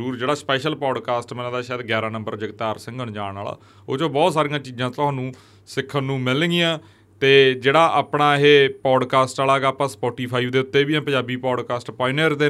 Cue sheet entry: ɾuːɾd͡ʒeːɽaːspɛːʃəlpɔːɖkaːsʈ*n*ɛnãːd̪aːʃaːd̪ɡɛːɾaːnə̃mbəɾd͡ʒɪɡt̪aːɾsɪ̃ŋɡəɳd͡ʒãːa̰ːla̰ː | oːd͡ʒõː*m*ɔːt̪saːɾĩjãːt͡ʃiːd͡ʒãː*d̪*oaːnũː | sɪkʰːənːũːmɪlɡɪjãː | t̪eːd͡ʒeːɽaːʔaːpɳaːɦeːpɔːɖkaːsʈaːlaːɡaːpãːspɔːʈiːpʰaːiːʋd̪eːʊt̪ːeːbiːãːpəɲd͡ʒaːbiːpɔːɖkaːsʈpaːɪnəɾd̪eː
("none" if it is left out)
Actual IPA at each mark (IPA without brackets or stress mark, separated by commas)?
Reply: m, b, t̪